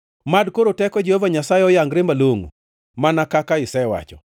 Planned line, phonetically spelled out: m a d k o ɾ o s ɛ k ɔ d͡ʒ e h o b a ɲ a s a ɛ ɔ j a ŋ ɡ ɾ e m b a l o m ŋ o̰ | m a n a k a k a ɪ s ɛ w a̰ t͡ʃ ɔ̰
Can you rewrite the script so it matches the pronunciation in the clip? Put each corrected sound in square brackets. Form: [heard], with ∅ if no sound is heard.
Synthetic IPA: m a d k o ɾ o [t] ɛ k ɔ d͡ʒ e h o [v] a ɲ a s a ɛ ɔ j a ŋ ɡ ɾ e m b a l o [∅] ŋ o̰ | m a n a k a k a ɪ s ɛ w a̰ t͡ʃ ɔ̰